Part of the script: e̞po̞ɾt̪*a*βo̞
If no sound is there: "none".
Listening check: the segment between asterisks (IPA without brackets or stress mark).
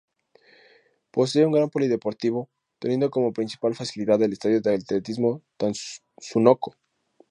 i